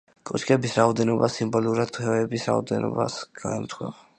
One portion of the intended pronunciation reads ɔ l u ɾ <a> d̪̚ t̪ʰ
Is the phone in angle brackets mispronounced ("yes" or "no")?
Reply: no